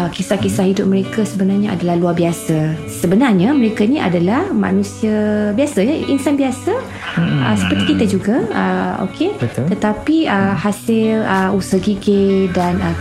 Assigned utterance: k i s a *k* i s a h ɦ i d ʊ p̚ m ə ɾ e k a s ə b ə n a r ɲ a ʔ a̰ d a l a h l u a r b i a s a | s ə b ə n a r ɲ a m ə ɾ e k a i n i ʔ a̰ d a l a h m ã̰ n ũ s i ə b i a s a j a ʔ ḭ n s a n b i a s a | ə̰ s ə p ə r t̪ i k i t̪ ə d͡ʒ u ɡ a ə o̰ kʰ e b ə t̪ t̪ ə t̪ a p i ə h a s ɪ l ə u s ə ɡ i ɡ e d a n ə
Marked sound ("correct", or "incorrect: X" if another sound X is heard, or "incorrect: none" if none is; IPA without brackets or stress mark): correct